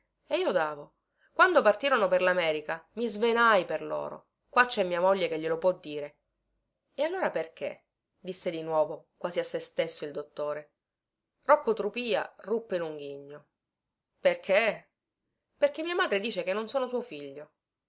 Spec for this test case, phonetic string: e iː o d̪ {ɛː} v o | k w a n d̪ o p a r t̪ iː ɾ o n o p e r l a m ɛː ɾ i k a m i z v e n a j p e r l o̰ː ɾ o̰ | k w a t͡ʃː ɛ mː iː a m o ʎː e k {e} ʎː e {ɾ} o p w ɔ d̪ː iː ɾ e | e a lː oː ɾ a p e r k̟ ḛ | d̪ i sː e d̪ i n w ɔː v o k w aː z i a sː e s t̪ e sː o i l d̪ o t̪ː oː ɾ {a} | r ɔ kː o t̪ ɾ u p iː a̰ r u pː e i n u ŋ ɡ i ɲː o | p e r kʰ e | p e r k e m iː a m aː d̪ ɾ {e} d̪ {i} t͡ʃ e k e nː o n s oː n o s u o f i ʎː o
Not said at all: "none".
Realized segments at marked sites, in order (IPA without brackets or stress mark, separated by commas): aː, e, l, e, e, iː